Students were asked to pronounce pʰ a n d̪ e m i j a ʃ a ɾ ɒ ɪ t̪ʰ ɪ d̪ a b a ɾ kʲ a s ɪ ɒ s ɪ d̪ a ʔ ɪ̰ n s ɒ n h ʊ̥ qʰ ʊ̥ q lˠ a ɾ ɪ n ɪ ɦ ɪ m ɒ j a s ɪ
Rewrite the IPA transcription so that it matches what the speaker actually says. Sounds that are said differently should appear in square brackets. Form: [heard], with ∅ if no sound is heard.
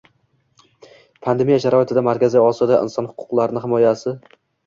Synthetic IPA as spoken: pʰ a n d̪ e m i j a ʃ a ɾ ɒ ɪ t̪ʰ ɪ d̪ a [m] a ɾ kʲ a [z] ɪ ɒ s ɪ d̪ a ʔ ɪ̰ n s ɒ n h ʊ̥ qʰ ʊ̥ q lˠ a ɾ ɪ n ɪ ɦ ɪ m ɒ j a s ɪ